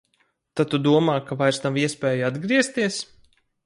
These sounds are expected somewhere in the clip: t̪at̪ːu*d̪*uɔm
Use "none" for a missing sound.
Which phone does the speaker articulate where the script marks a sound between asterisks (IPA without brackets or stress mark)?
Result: d̪